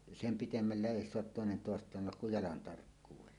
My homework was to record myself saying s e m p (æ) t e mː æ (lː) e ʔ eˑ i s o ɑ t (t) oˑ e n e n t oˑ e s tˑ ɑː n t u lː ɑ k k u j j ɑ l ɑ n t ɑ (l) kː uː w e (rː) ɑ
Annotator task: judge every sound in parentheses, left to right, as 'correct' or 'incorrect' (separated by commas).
incorrect, correct, correct, incorrect, incorrect